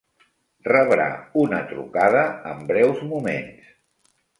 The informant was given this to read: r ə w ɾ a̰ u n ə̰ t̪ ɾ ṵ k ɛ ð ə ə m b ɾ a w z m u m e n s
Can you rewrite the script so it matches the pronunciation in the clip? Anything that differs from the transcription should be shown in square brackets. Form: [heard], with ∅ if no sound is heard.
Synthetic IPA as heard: r ə [β] ɾ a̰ u n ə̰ t̪ ɾ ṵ k [a] ð ə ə m b ɾ [ɛ] w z m u m e n s